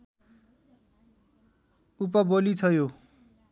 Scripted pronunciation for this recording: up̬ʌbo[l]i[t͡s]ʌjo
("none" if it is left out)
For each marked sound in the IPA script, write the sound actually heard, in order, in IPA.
l, t͡sʰ

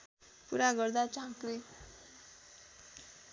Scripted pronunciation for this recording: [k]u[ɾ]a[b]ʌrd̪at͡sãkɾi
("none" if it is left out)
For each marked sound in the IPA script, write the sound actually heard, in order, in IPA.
p, ɾ, ɡ

